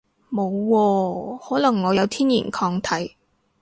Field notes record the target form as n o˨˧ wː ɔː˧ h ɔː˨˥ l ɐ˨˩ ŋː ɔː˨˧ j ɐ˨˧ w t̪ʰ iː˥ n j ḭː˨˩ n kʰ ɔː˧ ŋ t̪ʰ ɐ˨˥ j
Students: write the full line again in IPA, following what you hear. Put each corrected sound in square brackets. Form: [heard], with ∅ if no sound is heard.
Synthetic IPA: [m] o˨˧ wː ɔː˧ h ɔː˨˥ l ɐ˨˩ ŋː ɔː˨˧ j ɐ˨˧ w t̪ʰ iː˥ n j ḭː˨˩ n kʰ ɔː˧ ŋ t̪ʰ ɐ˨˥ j